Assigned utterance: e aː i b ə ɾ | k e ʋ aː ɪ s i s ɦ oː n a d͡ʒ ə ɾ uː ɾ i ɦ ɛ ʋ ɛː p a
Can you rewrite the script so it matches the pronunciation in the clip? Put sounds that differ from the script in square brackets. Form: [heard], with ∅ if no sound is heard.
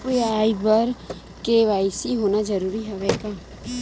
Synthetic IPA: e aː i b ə ɾ | k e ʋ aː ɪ s i [∅] ɦ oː n a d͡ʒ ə ɾ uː ɾ i ɦ ɛ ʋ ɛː [k] a